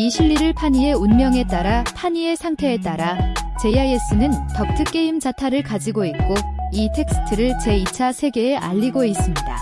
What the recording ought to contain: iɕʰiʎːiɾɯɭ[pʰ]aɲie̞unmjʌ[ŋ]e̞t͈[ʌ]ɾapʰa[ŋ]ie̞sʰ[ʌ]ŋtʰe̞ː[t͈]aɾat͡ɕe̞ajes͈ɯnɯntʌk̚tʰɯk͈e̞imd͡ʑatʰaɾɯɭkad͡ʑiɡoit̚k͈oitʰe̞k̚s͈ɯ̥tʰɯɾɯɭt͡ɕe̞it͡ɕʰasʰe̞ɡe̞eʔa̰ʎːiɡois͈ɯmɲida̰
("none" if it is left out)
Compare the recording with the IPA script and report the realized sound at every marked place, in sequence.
pʰ, ŋ, a, ɲ, a, t͈

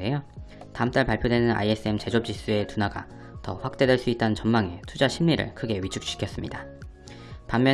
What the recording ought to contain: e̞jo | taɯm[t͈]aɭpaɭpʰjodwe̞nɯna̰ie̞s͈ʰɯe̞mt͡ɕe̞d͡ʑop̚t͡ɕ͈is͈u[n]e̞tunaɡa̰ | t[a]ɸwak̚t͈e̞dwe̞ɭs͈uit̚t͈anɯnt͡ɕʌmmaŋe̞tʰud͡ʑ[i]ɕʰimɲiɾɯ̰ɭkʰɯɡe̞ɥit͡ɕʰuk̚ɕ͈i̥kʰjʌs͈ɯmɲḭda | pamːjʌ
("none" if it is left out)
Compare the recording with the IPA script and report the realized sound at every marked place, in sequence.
t͈, none, ʌ, a

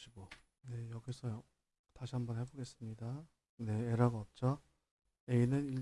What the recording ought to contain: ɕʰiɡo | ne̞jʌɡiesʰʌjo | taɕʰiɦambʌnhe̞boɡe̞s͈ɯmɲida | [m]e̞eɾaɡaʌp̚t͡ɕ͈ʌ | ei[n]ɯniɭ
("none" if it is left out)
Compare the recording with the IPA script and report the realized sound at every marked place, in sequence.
n, n

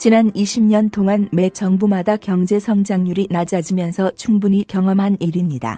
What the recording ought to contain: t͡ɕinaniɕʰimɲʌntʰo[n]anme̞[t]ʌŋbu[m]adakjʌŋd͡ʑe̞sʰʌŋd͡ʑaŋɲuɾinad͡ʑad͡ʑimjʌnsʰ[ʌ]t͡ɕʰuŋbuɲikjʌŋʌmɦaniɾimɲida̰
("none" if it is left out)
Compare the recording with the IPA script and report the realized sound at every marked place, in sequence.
ŋ, t͡ɕ, m, ʌ

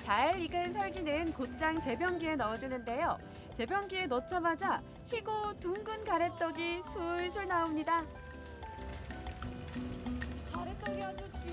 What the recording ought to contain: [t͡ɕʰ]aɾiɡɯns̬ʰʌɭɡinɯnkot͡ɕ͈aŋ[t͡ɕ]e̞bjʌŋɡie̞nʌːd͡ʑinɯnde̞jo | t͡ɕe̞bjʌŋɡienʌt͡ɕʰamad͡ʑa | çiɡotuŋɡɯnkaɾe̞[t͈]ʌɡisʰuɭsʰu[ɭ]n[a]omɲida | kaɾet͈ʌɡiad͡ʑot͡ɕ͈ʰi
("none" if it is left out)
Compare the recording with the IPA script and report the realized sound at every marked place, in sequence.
t͡ɕ, t͡ɕ, t͈, ɭ, a

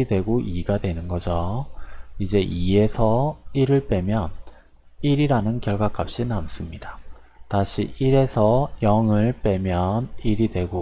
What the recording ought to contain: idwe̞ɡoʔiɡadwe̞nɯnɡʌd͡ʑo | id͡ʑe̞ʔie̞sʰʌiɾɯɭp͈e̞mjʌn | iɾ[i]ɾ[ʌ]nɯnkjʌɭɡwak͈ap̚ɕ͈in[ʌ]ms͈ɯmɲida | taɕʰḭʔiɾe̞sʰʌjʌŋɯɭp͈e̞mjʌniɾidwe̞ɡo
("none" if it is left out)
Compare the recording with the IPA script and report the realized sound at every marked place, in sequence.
i, a, a

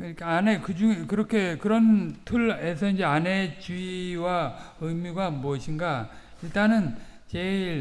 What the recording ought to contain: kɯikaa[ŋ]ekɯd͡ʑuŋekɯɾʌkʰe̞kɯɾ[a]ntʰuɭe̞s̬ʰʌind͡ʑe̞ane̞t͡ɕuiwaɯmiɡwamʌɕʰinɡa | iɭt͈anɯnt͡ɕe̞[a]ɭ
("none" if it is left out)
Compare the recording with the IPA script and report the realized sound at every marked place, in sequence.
n, ʌ, i

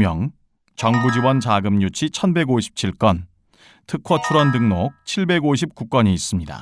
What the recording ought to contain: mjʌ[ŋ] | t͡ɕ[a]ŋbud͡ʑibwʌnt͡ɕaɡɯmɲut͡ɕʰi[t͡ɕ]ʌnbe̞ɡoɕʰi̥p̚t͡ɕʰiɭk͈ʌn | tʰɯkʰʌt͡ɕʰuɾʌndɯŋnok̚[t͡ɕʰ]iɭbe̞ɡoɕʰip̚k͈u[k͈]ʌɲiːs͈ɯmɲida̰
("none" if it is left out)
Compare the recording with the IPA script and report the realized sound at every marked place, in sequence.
ŋ, ʌ, t͡ɕʰ, t͡ɕʰ, k͈

